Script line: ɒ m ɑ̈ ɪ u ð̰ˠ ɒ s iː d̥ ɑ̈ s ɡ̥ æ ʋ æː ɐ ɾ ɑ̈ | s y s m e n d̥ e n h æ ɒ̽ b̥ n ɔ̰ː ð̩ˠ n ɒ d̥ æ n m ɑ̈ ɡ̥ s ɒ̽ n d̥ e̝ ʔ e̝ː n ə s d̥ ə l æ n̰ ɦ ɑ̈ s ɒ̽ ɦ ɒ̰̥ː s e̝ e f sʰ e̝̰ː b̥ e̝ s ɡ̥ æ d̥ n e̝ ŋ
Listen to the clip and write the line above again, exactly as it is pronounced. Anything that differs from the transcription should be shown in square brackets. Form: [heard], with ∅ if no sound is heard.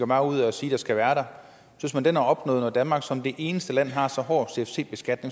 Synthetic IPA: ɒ m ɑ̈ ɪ u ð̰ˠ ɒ s iː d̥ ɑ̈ s ɡ̥ æ ʋ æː ɐ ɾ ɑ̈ | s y s m [æ] n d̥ e n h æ ɒ̽ b̥ n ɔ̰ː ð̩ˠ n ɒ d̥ æ n m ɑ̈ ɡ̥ s ɒ̽ [m] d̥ e̝ ʔ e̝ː n ə s d̥ ə l æ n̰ ɦ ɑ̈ s ɒ̽ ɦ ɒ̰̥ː s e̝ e f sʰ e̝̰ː b̥ e̝ s ɡ̥ æ d̥ n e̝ ŋ